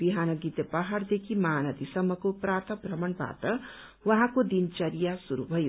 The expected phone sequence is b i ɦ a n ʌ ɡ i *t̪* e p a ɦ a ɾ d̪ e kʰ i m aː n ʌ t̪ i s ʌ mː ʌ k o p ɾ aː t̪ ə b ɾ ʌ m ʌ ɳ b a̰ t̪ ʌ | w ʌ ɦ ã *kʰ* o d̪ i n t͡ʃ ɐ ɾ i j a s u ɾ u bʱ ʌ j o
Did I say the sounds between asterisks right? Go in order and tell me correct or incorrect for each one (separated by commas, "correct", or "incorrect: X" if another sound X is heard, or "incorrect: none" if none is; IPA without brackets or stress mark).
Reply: correct, incorrect: k